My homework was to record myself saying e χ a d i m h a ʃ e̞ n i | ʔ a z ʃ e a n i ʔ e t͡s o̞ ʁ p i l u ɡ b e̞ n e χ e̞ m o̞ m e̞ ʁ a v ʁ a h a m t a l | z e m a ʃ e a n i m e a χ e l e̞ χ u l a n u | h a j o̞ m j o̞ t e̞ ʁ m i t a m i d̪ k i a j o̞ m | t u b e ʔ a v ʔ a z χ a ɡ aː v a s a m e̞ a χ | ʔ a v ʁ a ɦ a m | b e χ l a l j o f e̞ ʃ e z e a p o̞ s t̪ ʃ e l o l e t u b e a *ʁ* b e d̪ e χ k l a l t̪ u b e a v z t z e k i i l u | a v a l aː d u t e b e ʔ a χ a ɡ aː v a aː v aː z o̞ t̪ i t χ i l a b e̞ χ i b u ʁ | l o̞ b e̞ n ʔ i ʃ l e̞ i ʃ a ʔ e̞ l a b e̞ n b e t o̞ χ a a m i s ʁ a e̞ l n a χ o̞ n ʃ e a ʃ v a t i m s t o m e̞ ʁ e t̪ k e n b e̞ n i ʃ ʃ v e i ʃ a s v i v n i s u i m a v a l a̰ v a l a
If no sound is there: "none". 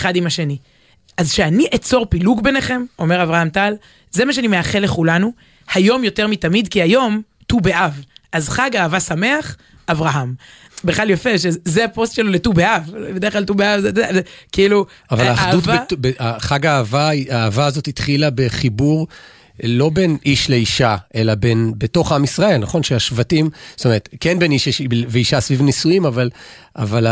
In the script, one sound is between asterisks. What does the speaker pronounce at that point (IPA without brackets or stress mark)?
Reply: v